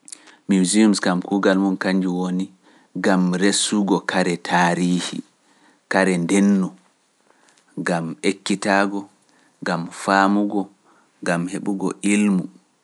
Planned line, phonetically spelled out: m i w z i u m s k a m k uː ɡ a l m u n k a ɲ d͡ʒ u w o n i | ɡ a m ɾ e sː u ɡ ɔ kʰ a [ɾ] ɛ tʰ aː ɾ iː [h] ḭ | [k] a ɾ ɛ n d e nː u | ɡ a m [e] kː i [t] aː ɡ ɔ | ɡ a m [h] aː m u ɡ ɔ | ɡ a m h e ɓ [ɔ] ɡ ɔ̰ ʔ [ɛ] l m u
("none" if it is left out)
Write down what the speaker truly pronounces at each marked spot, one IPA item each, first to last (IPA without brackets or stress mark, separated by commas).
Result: ɾ, h, k, e, t, f, u, i